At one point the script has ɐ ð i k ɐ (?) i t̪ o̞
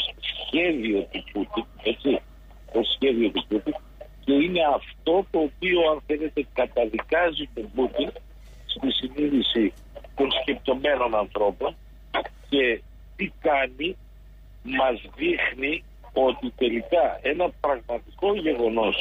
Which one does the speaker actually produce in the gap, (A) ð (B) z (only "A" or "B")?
B